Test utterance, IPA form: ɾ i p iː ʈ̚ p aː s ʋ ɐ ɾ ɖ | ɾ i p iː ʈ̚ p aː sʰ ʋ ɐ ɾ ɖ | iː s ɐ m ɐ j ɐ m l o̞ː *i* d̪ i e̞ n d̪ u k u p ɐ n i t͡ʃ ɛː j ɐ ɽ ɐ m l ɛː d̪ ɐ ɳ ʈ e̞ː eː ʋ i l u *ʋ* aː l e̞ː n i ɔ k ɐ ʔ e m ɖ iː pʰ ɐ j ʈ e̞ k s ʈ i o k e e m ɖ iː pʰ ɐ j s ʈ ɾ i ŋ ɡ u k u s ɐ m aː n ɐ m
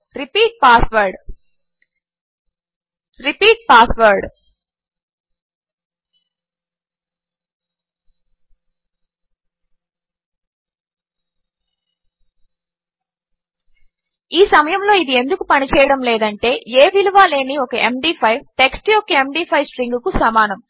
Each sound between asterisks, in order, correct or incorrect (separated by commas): correct, correct